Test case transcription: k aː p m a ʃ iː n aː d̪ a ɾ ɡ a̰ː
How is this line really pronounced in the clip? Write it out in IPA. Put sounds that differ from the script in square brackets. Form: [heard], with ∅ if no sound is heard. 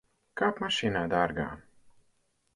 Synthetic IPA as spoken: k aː p m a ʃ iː n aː d̪ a ɾ ɡ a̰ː